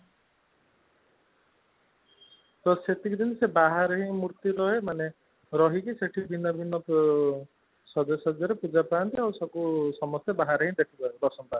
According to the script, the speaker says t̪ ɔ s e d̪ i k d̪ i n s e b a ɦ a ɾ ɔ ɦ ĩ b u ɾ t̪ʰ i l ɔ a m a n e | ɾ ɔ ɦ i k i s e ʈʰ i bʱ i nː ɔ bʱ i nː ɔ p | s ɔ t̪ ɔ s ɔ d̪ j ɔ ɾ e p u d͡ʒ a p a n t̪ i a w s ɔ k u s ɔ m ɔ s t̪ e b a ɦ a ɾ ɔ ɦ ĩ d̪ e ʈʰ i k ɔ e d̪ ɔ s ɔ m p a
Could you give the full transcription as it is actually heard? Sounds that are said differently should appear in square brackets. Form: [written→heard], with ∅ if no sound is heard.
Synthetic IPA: t̪ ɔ s e [d̪→t̪] i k d̪ i n s e b a ɦ a ɾ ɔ ɦ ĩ [b→m] u ɾ [t̪ʰ→t̪] i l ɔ [a→e] m a n e | ɾ ɔ ɦ i k i s e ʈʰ i bʱ i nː ɔ bʱ i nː ɔ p | s ɔ [t̪→d̪] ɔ s ɔ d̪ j ɔ ɾ e p u d͡ʒ a p a n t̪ i a w s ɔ k u s ɔ m ɔ s t̪ e b a ɦ a ɾ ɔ ɦ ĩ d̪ e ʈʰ i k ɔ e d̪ ɔ s ɔ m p a